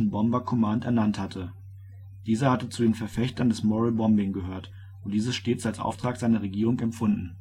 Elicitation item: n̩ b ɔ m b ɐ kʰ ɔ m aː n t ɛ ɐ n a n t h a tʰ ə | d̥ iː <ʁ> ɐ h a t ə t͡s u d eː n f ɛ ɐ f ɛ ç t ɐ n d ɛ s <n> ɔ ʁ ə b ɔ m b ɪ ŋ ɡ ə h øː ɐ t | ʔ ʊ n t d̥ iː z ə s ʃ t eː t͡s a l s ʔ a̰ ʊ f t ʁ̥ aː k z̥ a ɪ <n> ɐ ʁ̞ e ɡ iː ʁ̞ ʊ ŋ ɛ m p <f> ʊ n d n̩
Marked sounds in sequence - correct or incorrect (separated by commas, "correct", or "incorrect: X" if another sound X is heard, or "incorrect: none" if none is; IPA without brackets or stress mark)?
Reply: incorrect: z, incorrect: m, correct, correct